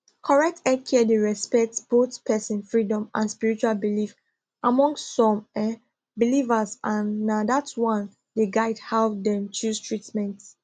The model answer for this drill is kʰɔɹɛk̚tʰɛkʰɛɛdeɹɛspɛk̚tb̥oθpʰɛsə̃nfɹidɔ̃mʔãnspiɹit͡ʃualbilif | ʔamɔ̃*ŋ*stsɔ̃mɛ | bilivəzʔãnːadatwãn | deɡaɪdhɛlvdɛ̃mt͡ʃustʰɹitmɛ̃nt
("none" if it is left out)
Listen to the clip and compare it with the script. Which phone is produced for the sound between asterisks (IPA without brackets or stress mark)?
ŋ